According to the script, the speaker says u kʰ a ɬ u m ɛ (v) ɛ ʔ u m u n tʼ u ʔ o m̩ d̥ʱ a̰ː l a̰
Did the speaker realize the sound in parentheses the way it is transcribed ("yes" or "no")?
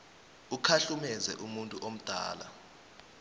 no